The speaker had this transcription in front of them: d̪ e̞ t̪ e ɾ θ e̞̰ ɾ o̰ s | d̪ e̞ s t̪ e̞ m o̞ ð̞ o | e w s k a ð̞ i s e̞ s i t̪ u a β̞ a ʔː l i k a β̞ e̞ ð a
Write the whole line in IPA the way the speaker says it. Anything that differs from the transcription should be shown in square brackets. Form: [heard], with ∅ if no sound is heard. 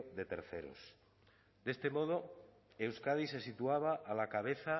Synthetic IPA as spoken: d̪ e̞ t̪ e ɾ θ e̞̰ ɾ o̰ s | d̪ e̞ s t̪ e̞ m o̞ ð̞ o | e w s k a ð̞ i s e̞ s i t̪ u a β̞ a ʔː l [a] k a β̞ e̞ [θ] a